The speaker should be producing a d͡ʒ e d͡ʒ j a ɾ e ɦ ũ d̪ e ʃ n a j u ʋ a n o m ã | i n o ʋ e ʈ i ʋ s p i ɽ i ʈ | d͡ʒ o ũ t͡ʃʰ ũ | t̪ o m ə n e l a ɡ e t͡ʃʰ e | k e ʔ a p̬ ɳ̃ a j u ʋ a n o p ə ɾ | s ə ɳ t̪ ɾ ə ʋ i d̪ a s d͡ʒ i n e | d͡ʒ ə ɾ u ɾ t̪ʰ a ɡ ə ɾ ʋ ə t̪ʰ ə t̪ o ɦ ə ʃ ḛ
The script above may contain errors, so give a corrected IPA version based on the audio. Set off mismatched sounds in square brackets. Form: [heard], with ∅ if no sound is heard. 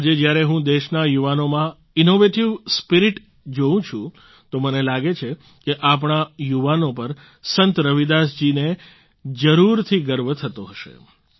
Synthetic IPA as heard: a d͡ʒ e d͡ʒ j a ɾ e ɦ ũ d̪ e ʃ n a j u ʋ a n o m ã | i n o ʋ e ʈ i ʋ s p i [ɾ] i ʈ | d͡ʒ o ũ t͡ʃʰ ũ | t̪ o m ə n e l a ɡ e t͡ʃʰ e | k e ʔ a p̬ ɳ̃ a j u ʋ a n o p ə ɾ | s ə [n] t̪ ɾ ə ʋ i d̪ a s d͡ʒ i n e | d͡ʒ ə ɾ u ɾ t̪ʰ [i] ɡ ə ɾ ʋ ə t̪ʰ ə t̪ o ɦ ə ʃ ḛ

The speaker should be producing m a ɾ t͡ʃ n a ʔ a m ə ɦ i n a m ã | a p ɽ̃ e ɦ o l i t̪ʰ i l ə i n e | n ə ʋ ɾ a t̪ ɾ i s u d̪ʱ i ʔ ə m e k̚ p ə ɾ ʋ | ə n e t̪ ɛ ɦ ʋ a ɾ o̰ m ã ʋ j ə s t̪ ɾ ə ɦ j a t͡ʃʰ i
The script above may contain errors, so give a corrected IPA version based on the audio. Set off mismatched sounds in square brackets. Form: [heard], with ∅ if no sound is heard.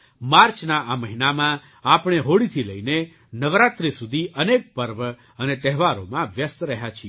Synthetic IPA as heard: m a ɾ t͡ʃ n a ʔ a m ə ɦ i n a m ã | a p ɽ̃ e ɦ o [ɽ] i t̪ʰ i l ə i n e | n ə ʋ ɾ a t̪ ɾ i s u d̪ʱ i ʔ ə [n] e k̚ p ə ɾ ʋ | ə n e t̪ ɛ ɦ ʋ a ɾ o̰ m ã ʋ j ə s t̪ ɾ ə ɦ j a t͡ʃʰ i

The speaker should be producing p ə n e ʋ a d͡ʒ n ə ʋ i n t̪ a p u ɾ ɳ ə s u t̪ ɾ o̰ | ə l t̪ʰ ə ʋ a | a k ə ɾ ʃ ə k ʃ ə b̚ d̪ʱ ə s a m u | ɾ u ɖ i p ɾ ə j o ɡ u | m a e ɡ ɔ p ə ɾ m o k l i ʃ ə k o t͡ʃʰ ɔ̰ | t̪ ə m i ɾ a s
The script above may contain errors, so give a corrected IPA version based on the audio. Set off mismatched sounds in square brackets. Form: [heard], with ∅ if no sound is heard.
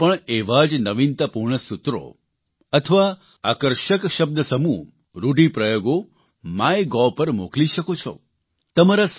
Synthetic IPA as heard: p ə [ɳ] e ʋ a d͡ʒ n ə ʋ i n t̪ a p u ɾ ɳ ə s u t̪ ɾ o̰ | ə [∅] t̪ʰ ə ʋ a | a k ə ɾ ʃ ə k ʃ ə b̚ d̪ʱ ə s [ə] m u | ɾ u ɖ i p ɾ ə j o ɡ [o] | m a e ɡ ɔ p ə ɾ m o k l i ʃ ə k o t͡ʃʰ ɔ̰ | t̪ ə m [a] ɾ a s

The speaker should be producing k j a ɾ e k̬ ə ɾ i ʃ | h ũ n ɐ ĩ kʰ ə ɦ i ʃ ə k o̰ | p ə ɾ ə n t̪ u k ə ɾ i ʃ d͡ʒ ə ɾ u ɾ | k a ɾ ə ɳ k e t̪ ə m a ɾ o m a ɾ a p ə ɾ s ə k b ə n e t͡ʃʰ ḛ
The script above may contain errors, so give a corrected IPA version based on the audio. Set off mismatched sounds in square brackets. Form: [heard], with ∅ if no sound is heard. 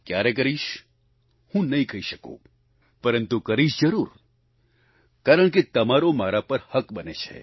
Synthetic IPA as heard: k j a ɾ e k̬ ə ɾ i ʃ | h ũ n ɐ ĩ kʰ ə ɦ i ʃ ə k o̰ | p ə ɾ ə n t̪ u k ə ɾ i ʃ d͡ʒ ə ɾ u ɾ | k a ɾ ə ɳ k e t̪ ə m a ɾ o m a ɾ a p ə ɾ [h] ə k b ə n e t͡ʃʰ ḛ

